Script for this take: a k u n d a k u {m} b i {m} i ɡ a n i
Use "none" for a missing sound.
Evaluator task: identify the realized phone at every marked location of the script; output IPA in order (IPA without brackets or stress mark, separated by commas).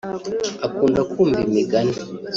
m, m